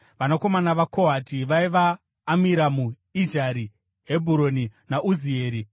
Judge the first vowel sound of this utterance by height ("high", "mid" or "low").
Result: low